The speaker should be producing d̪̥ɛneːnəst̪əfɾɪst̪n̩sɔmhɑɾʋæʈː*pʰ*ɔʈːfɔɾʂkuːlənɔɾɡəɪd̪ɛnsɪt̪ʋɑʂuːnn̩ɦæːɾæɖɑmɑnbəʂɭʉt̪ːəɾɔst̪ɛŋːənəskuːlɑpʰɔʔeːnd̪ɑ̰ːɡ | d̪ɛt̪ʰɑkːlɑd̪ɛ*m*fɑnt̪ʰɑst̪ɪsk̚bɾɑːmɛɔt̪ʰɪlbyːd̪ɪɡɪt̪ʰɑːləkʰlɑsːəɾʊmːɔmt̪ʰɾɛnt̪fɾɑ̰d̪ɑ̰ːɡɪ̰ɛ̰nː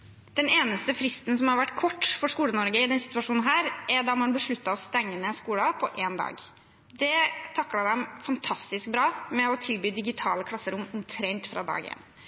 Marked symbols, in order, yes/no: no, yes

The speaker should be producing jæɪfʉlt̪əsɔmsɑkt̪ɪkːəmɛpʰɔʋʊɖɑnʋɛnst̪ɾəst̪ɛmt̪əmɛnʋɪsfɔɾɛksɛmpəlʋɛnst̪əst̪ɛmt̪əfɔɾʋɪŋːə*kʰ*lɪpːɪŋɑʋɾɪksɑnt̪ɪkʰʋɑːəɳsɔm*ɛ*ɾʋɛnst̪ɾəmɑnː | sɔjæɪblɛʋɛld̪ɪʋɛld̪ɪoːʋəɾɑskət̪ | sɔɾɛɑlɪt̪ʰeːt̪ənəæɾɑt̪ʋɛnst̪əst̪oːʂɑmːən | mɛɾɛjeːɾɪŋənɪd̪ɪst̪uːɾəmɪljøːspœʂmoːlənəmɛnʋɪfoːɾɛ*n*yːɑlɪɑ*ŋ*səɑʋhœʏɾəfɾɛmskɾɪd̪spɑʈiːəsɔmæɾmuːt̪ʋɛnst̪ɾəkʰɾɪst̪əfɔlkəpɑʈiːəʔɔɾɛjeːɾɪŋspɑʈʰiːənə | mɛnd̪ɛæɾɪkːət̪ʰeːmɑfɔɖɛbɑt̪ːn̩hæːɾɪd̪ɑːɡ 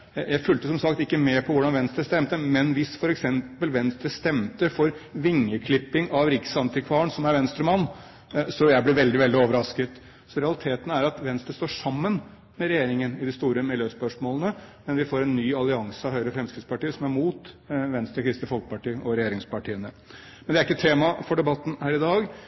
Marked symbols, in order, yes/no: yes, no, no, yes

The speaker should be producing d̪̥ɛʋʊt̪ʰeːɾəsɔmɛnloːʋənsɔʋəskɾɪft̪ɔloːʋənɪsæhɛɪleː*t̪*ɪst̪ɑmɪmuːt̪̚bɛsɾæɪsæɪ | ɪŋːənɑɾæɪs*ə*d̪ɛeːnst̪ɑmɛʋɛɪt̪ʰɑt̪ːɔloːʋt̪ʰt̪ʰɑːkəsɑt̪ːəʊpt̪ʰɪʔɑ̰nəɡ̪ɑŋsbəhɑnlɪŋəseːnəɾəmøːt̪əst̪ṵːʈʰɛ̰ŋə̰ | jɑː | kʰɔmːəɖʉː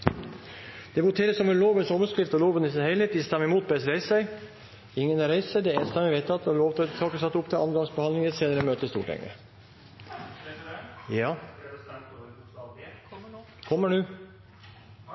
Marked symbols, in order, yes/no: yes, yes

